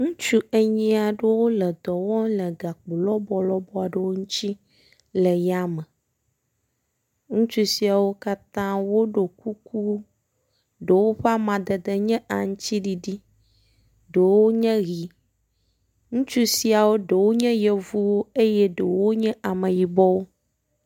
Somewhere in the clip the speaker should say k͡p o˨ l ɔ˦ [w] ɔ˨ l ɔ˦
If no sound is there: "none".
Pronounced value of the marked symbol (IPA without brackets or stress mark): b